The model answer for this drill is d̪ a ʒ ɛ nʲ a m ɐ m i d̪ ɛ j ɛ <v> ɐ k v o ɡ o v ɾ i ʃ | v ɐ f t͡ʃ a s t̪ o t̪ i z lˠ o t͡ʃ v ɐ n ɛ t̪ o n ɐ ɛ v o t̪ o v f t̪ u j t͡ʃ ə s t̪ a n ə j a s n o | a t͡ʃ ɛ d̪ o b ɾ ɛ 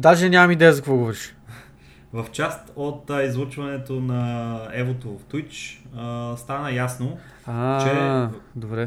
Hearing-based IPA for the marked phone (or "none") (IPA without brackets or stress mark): z